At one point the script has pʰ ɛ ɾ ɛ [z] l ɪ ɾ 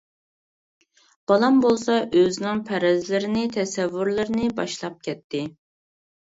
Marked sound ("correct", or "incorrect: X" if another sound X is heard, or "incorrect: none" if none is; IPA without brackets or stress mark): correct